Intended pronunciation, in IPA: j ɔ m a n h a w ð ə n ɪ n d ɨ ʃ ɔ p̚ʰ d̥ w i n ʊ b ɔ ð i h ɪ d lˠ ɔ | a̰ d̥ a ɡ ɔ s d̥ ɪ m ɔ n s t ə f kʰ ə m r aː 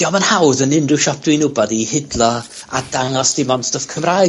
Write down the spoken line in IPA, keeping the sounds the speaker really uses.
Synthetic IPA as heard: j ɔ m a n h a w ð ə n ɪ n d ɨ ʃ ɔ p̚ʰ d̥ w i n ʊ b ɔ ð i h ɪ d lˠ ɔ | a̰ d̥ a ŋ ɔ s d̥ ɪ m ɔ n s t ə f kʰ ə m r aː